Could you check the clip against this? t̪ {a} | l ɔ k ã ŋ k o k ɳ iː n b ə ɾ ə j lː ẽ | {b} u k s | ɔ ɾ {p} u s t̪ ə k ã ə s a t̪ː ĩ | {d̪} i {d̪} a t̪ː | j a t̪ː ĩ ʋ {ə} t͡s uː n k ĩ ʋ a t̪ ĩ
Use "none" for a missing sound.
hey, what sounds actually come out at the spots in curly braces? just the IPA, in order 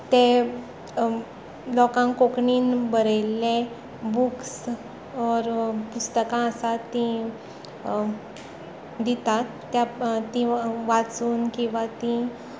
e, b, p, d̪, t̪, a

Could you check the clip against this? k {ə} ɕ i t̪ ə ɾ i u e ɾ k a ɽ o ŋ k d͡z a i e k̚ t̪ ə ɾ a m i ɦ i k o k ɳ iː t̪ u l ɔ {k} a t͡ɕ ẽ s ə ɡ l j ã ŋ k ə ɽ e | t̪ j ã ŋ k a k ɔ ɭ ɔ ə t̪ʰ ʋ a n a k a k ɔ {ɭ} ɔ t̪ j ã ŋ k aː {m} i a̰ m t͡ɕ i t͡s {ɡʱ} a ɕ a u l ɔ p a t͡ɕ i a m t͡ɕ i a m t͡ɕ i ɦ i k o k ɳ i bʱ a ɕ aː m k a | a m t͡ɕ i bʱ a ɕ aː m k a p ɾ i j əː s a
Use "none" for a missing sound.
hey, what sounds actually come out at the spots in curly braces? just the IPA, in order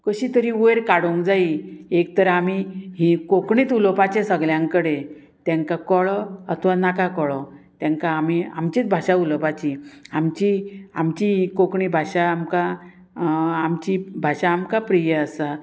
ə, p, ɭ, m, bʱ

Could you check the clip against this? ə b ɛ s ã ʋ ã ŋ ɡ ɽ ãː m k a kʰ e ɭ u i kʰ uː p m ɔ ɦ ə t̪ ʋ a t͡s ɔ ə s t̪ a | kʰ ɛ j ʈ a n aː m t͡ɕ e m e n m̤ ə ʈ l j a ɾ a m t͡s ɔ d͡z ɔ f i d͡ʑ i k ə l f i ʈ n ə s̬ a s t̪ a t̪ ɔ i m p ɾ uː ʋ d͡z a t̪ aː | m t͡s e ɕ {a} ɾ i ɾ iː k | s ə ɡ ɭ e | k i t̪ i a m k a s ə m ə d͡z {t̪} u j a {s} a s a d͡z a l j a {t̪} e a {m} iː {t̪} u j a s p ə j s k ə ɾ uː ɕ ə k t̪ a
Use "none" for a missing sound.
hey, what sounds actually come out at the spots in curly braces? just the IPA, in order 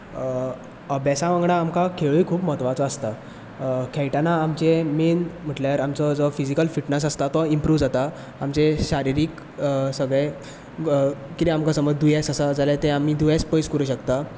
a, d̪, s, t̪, m, d̪

